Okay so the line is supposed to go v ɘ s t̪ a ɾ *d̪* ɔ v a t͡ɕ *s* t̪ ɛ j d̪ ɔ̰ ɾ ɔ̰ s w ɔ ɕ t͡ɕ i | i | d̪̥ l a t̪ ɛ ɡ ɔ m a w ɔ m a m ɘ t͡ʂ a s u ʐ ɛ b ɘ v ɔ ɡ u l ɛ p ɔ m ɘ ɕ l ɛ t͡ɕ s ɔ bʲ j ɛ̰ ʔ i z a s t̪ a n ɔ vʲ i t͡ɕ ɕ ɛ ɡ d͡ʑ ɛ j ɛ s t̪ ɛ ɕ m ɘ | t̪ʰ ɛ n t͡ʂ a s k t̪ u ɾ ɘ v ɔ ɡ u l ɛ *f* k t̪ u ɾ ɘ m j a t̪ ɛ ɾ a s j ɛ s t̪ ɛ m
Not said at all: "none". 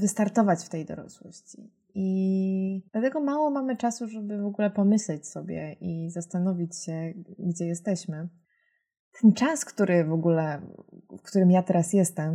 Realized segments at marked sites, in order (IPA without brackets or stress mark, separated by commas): t̪, f, f